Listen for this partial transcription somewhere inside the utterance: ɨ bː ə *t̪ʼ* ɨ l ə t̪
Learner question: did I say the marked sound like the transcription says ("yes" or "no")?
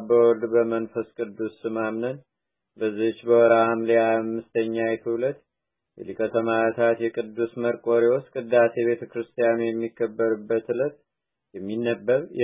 no